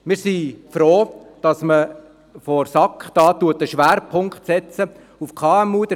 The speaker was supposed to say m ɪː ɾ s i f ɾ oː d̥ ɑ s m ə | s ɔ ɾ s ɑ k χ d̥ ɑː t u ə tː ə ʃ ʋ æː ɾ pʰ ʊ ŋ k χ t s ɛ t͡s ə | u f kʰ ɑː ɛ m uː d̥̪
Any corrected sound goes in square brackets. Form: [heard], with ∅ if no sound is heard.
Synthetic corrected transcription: m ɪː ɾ s i f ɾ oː d̥ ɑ s m ə | [f] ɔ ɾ s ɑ k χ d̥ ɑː t u ə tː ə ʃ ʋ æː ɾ pʰ ʊ ŋ k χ t s ɛ t͡s ə | u f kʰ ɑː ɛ m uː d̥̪